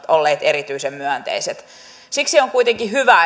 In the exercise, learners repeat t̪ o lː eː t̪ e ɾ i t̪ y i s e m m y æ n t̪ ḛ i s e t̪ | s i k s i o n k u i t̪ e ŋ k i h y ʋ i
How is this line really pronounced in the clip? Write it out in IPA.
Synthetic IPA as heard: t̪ o lː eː t̪ e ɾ i t̪ y i s e m m y æ n t̪ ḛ i s e t̪ | s i k s i o ŋ k u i t̪ e ŋ k i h y ʋ æ